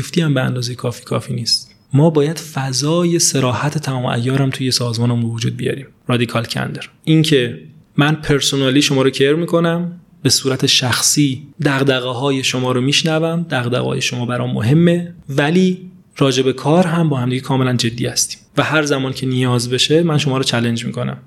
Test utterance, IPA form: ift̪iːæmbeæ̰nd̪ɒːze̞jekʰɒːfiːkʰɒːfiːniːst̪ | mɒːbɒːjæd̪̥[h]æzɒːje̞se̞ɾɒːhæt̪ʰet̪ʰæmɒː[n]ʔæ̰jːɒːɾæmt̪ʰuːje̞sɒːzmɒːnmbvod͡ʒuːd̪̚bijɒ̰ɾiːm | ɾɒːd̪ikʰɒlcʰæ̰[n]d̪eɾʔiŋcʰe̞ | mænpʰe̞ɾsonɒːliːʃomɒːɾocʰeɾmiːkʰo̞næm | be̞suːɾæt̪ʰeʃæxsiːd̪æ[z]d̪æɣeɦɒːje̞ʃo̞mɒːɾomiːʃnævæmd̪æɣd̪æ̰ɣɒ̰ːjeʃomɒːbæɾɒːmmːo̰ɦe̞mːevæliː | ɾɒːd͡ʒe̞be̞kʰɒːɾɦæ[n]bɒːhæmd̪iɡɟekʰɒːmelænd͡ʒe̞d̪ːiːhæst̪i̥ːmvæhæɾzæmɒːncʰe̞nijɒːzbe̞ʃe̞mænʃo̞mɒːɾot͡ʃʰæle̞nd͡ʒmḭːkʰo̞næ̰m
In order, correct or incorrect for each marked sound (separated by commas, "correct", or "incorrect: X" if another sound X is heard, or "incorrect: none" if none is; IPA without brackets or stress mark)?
incorrect: f, incorrect: m, correct, incorrect: ɣ, incorrect: m